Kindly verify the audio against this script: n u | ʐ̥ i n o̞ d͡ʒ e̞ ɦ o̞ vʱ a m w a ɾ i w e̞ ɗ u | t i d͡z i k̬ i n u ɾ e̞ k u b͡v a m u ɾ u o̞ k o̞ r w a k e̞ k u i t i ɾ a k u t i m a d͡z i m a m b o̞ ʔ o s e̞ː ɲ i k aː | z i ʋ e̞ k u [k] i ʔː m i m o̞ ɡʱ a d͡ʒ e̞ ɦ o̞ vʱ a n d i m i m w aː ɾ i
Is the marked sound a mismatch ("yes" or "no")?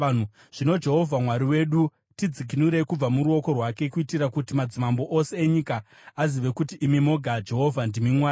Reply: yes